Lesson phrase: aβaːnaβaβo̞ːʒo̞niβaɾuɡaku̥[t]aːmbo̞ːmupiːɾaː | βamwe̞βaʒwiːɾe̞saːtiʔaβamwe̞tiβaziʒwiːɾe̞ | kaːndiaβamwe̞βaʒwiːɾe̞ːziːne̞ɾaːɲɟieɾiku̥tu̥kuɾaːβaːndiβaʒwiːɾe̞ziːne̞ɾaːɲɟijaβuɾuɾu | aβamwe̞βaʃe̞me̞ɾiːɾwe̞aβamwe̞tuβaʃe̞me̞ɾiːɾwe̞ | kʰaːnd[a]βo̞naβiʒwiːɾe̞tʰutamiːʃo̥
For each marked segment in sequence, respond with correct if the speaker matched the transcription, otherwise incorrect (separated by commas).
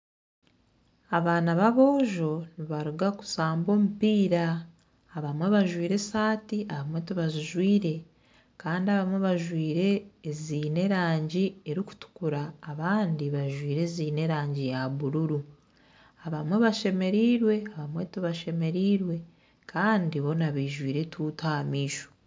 incorrect, incorrect